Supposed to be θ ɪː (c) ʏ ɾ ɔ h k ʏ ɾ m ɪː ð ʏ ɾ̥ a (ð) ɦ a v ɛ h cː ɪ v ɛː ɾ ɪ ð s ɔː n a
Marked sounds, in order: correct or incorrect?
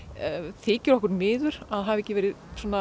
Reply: correct, correct

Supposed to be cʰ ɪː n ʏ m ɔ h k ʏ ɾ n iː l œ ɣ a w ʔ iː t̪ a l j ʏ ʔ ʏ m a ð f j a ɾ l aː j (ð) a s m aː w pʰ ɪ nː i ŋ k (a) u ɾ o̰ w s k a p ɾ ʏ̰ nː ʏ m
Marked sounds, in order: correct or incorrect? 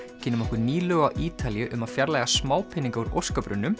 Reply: incorrect: ɣ, correct

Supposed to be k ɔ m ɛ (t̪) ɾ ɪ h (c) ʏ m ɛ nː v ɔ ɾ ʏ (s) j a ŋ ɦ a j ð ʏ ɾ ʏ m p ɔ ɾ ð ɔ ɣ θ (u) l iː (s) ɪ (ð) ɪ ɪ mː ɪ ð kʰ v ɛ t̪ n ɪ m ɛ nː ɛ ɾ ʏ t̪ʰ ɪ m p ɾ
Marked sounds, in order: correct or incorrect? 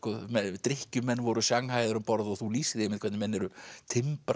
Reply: correct, correct, correct, correct, correct, correct

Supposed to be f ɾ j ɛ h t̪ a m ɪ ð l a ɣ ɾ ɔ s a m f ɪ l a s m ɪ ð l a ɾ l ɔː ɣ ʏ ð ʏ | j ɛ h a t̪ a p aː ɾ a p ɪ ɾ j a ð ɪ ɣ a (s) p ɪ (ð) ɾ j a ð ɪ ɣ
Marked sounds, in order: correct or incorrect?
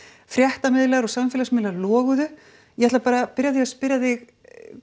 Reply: correct, incorrect: none

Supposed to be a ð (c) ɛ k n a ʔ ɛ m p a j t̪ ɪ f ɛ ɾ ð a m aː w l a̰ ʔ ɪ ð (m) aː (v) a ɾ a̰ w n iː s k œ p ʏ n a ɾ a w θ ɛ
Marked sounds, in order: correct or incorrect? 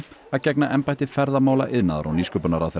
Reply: correct, incorrect: n, incorrect: ð

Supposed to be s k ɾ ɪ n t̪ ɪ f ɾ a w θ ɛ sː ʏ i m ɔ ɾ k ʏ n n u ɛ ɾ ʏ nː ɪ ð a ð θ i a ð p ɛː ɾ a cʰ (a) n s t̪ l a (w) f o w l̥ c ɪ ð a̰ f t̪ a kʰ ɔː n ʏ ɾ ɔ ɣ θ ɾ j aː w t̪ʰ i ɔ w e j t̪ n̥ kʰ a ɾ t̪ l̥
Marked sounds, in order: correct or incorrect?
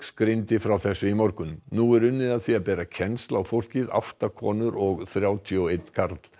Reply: incorrect: ɛ, correct

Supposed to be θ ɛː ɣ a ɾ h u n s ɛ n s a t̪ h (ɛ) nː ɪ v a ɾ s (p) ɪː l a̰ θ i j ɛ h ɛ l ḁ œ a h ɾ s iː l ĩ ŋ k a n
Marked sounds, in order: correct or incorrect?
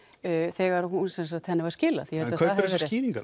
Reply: correct, incorrect: c

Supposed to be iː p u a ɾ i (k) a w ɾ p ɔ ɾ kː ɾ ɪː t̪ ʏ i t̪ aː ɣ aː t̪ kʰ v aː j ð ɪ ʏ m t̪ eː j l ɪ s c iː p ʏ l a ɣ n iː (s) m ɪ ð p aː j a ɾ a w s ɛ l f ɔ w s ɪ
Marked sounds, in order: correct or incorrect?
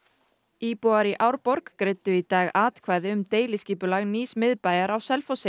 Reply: incorrect: ʔ, correct

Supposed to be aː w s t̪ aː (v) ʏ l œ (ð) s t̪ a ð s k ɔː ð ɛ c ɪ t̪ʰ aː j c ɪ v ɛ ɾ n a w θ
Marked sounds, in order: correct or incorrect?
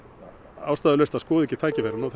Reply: incorrect: ð, incorrect: none

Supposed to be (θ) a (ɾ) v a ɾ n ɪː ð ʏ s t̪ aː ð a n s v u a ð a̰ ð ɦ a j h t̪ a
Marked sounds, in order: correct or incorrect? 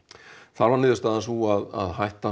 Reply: correct, correct

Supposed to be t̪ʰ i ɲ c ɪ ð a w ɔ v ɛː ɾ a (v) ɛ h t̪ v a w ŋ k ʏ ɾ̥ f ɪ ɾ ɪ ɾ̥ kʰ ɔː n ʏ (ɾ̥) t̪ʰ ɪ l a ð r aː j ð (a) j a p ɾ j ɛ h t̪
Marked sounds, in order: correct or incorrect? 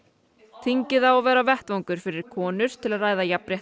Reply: correct, correct, correct

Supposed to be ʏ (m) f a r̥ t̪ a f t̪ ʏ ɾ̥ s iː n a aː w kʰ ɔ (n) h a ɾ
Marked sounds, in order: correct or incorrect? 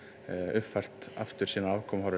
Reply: incorrect: none, incorrect: m

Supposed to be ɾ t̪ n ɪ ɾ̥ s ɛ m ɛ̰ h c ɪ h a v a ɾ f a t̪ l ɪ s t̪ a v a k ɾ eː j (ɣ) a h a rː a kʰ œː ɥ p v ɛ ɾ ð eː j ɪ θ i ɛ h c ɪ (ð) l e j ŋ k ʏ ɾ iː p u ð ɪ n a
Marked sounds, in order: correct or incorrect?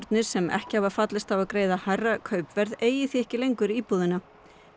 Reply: incorrect: ð, incorrect: none

